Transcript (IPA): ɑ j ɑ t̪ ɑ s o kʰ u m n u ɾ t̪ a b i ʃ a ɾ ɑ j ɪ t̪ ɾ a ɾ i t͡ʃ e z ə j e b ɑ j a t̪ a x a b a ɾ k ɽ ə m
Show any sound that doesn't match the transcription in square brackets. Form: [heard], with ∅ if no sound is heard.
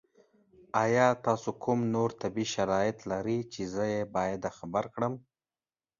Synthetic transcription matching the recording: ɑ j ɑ t̪ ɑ s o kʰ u m n [o] ɾ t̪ a b i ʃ a ɾ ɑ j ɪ t̪ [l] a ɾ i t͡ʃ e z ə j e b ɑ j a [d̪] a x a b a ɾ k ɽ ə m